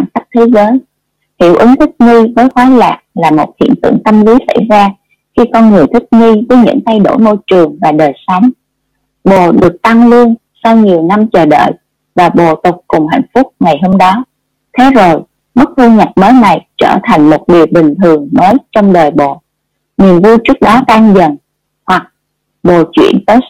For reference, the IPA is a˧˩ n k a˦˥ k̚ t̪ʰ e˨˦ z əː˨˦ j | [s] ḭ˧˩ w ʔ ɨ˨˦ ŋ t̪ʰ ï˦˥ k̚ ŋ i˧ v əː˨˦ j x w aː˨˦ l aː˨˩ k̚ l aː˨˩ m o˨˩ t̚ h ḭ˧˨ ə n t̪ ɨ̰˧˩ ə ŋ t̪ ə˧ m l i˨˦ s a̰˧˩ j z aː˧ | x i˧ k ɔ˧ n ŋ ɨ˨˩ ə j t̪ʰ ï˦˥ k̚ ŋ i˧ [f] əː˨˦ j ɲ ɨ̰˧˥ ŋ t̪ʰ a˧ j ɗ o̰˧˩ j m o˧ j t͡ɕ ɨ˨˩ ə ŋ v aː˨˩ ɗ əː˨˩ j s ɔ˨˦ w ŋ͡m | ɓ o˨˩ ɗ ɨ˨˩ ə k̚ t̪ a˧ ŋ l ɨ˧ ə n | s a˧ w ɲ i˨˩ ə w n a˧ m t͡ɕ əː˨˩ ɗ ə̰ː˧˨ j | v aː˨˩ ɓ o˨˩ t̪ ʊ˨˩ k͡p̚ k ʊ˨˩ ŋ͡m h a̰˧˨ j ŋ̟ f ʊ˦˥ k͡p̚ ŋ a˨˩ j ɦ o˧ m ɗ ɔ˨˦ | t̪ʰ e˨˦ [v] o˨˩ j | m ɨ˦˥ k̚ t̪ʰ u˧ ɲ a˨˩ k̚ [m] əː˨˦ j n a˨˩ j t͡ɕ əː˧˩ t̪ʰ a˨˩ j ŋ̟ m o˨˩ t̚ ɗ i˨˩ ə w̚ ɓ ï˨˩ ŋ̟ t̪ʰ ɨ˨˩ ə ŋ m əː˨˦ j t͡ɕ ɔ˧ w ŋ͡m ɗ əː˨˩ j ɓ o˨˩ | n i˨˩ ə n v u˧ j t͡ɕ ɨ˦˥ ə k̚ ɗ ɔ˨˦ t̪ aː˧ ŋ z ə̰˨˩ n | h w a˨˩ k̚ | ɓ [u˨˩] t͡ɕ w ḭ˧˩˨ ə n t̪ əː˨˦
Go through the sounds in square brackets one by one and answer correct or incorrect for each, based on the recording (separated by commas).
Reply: incorrect, incorrect, incorrect, correct, incorrect